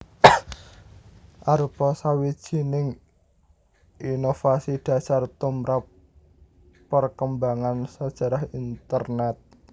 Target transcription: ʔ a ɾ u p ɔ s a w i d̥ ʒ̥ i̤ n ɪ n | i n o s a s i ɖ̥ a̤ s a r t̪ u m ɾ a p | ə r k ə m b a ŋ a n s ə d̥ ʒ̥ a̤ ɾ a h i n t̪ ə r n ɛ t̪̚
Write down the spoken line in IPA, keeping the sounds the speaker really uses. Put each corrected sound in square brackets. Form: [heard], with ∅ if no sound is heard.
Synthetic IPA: ʔ a ɾ u p ɔ s a w i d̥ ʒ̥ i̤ n ɪ [ŋ] | i n o [f] a s i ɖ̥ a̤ s a r t̪ u m ɾ a p | ə r k ə m b a ŋ a n s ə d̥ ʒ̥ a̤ ɾ a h i n t̪ ə r n ɛ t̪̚

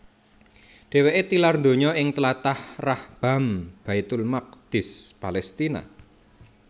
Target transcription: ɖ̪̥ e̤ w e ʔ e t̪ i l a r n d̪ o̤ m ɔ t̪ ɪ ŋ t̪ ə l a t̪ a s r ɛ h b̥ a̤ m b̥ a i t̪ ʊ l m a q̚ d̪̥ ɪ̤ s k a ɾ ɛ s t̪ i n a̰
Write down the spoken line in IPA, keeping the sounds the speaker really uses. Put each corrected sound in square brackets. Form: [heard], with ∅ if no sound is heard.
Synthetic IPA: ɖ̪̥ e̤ w e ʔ e t̪ i l a r n d̪ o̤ [ɲ] ɔ [∅] ɪ ŋ t̪ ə l a t̪ a [h] r [a] h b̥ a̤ m b̥ a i t̪ ʊ l m a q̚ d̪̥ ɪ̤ s [p] a [l] ɛ s t̪ i n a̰

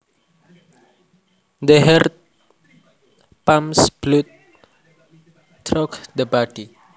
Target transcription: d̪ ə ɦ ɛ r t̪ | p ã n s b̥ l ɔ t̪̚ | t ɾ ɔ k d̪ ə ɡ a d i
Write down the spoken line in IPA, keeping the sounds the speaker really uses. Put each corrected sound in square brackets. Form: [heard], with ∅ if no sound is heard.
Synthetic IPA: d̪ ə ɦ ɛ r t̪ | p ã [m] s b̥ l [u] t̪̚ | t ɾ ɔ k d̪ ə [b] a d i

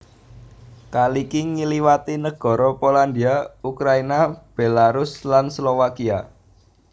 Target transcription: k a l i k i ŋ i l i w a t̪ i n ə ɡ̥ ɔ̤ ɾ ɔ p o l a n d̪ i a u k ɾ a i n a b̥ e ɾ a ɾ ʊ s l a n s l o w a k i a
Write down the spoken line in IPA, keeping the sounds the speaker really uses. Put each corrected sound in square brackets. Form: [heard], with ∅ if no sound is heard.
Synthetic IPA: k a l i k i ŋ i l i w a t̪ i n ə ɡ̥ ɔ̤ ɾ ɔ p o l a n d̪ i a u k ɾ a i n a b̥ e [l] a ɾ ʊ s l a n s l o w a k i a

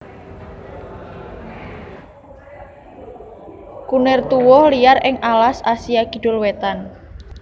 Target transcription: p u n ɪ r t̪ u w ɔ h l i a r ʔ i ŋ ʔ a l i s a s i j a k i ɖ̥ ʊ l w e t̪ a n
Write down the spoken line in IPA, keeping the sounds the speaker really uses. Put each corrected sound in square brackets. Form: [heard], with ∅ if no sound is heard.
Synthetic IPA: [k] u n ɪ r t̪ u w ɔ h l i a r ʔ [ɪ] ŋ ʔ a l [a] s a s i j a k i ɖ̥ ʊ l w e t̪ a n

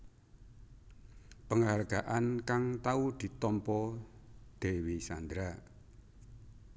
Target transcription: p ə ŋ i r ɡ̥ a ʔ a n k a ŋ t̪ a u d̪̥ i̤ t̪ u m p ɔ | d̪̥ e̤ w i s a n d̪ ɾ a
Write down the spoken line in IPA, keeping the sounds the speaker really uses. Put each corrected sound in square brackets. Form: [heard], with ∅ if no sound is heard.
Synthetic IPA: p ə ŋ [a] r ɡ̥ a ʔ a n k a ŋ t̪ a u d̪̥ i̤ t̪ [ɔ] m p ɔ | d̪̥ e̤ w i s a n d̪ ɾ a

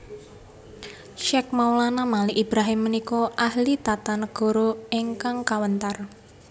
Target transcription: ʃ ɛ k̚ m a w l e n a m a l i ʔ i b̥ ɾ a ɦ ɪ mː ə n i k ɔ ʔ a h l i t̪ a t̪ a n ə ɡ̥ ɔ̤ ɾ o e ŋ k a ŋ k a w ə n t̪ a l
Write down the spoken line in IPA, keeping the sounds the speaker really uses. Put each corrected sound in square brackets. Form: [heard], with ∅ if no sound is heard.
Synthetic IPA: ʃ ɛ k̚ m a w l [a] n a m a l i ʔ i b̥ ɾ a ɦ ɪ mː ə n i k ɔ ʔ a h l i t̪ a t̪ a n ə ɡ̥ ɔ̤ ɾ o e ŋ k a ŋ k a w ə n t̪ a [r]

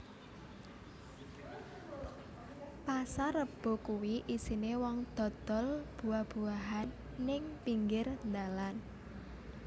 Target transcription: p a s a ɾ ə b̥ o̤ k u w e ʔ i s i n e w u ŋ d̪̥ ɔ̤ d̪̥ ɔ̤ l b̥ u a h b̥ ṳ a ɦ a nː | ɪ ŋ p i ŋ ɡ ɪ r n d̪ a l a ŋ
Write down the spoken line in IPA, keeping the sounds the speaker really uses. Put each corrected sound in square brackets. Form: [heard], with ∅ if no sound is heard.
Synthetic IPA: p a s a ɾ ə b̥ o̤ k u w [i] ʔ i s i n e w [ɔ] ŋ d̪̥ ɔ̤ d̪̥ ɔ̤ l b̥ u a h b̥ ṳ a ɦ a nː | ɪ ŋ p i ŋ ɡ ɪ r n d̪ a l a [n]

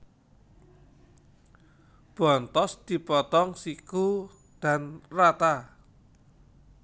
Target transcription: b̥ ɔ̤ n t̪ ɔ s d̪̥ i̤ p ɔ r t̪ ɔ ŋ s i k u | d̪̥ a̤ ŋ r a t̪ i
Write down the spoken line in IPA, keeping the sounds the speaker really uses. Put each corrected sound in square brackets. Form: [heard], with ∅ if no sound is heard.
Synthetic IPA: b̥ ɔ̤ n t̪ ɔ s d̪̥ i̤ p ɔ [∅] t̪ ɔ ŋ s i k u | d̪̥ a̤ [n] r a t̪ [a]

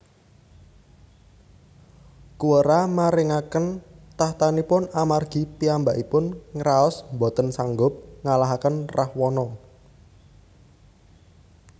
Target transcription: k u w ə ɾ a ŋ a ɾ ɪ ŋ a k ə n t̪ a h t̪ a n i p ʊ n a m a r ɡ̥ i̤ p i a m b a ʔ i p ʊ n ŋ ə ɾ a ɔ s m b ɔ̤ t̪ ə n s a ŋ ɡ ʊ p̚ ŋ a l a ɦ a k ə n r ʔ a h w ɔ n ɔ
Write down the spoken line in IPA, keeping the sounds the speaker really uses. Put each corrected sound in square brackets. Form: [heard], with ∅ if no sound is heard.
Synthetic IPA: k u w ə ɾ a [m] a ɾ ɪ ŋ a k ə n t̪ a h t̪ a n i p ʊ n a m a r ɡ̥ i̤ p i a m b a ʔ i p ʊ n ŋ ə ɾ a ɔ s m b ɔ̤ t̪ ə n s a ŋ ɡ ʊ p̚ ŋ a l a ɦ a k ə n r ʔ a h w ɔ n ɔ

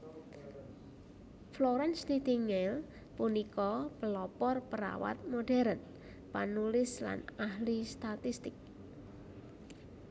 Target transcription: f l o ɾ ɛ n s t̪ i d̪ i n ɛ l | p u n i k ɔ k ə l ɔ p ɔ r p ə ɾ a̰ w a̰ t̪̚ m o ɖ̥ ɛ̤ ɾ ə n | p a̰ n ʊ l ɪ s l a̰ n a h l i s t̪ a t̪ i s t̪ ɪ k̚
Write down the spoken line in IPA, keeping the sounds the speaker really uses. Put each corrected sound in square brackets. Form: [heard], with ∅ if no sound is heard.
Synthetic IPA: f l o ɾ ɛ n s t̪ i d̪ i [ŋ] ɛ l | p u n i k ɔ [p] ə l ɔ p ɔ r p ə ɾ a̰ w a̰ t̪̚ m o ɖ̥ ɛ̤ ɾ ə n | p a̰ n [u] l ɪ s l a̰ n a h l i s t̪ a t̪ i s t̪ ɪ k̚

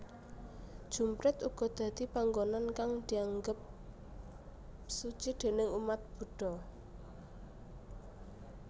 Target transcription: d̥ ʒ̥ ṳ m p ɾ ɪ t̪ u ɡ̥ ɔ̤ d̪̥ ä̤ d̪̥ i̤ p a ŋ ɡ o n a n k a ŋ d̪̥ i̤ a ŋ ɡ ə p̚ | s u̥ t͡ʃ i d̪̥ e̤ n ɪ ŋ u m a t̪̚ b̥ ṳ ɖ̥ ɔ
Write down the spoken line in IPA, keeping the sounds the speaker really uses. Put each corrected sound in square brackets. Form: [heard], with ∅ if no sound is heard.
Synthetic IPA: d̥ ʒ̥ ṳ m p ɾ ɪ t̪ u ɡ̥ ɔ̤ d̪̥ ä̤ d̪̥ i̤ p a ŋ ɡ o n a n k a ŋ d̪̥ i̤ a ŋ ɡ ə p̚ | s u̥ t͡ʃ i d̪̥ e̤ n ɪ ŋ u m a t̪̚ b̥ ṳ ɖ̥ ɔ

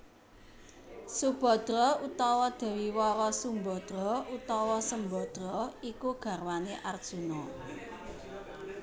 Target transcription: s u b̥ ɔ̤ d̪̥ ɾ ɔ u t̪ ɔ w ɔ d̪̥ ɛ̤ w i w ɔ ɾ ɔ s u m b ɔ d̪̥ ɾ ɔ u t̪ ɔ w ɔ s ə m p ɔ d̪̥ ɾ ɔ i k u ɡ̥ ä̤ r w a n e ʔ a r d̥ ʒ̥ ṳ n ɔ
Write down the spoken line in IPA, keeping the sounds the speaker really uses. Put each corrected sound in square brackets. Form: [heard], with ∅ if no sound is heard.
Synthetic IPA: s u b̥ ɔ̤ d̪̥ ɾ ɔ u t̪ ɔ w ɔ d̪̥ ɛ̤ w i w ɔ ɾ ɔ s u m b ɔ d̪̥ ɾ ɔ u t̪ ɔ w ɔ s ə m [b] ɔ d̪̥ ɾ ɔ i k u ɡ̥ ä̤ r w a n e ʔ a r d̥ ʒ̥ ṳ n ɔ

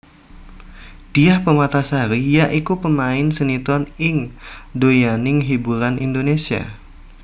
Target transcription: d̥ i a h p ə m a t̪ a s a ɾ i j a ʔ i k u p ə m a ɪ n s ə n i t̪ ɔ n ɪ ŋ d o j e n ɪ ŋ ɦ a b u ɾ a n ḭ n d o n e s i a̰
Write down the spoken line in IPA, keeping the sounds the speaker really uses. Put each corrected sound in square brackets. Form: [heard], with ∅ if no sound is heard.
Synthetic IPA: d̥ i a h p ə m a t̪ a s a ɾ i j a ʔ i k u p ə m a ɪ n s ə n i t̪ ɔ n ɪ ŋ d o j [a] n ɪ ŋ ɦ [i] b u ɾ a n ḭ n d o n e s i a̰

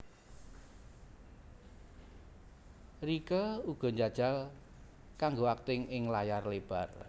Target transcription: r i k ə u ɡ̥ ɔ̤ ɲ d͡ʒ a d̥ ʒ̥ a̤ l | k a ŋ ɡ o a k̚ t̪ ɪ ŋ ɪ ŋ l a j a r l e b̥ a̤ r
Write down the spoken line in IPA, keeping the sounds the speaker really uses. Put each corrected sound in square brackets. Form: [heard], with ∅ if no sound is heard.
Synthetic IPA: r i k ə u ɡ̥ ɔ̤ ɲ d͡ʒ a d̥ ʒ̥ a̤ l | k a ŋ ɡ o a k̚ t̪ ɪ ŋ ɪ ŋ l a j a r l e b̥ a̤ r

